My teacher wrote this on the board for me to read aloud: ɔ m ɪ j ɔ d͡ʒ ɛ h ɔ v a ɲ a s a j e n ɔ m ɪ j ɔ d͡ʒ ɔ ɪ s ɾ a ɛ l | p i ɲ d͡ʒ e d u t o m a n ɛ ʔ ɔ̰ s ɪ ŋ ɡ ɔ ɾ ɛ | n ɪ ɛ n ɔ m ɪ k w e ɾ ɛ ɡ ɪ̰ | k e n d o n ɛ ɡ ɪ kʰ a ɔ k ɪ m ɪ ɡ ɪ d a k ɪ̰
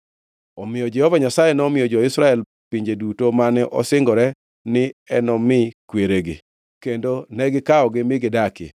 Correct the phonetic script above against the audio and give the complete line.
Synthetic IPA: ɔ m ɪ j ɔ d͡ʒ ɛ h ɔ v a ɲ a s a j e n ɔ m ɪ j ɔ d͡ʒ ɔ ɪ s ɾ a ɛ l | p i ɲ d͡ʒ e d u t o m a n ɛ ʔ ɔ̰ s ɪ ŋ ɡ ɔ ɾ ɛ | n ɪ ɛ n ɔ m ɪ k w e ɾ e ɡ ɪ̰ | k e n d o n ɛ ɡ ɪ k a ɔ ɡ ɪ m ɪ ɡ ɪ d a k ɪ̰